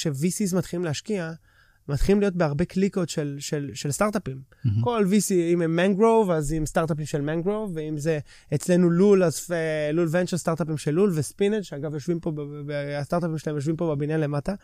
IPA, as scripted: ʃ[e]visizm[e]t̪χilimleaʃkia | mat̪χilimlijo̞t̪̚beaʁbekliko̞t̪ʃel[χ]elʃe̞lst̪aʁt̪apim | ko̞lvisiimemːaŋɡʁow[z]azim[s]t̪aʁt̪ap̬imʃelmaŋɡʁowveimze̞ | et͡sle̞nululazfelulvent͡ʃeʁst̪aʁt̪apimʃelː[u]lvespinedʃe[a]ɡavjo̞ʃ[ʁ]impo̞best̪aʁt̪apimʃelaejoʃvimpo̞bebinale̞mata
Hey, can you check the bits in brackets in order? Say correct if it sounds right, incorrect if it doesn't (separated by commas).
correct, incorrect, incorrect, incorrect, correct, correct, correct, incorrect